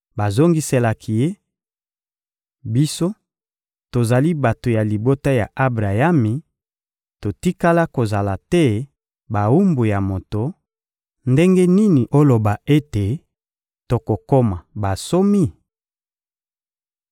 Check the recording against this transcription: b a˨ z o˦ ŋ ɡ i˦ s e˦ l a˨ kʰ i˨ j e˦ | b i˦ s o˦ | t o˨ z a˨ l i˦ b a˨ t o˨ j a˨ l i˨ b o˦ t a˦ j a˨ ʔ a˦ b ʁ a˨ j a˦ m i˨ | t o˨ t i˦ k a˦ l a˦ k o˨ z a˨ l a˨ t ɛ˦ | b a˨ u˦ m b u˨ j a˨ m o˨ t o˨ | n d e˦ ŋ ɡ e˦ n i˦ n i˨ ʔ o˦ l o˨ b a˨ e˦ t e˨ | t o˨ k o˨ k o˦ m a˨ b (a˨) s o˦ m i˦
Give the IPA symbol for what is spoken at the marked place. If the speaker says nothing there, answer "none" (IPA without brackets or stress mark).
a˨